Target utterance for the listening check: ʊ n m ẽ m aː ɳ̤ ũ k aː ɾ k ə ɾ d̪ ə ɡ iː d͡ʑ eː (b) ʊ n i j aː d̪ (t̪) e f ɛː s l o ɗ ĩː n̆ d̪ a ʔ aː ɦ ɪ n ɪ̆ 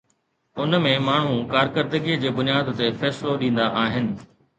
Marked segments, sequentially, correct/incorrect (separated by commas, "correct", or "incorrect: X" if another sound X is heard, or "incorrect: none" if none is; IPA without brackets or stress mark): correct, correct